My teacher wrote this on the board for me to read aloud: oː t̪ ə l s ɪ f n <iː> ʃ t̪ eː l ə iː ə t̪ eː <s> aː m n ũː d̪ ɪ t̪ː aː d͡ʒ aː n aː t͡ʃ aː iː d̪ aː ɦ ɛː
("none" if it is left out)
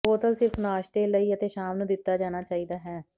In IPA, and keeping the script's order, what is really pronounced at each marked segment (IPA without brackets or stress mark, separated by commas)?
aː, ʃ